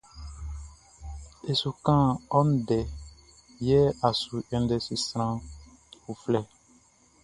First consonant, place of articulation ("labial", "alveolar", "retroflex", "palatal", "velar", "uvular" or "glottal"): alveolar